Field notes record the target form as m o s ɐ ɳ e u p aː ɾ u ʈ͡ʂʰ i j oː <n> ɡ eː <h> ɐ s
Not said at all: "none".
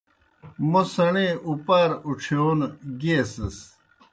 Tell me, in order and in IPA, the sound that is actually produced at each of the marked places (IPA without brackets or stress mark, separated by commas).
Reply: n, s